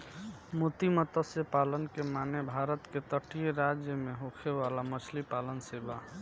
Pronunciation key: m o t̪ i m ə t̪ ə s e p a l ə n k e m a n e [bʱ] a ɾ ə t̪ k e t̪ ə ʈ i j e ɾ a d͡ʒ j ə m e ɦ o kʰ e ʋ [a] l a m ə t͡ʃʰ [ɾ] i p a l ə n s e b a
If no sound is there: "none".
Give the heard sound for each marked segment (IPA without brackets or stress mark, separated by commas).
bʱ, a, l